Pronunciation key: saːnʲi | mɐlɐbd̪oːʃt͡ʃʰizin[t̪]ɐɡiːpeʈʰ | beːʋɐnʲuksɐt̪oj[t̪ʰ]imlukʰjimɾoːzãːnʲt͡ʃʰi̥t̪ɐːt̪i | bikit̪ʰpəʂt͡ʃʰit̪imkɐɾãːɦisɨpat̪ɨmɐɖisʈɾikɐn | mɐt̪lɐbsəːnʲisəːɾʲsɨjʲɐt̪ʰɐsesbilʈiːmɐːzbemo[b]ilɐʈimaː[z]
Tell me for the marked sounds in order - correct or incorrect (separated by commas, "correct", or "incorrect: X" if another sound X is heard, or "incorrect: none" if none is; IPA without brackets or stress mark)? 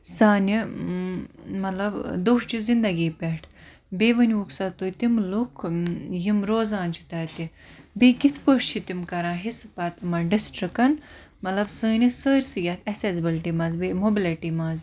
incorrect: d̪, incorrect: t̪, correct, correct